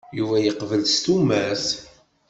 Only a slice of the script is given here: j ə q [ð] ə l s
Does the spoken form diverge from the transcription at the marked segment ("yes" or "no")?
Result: yes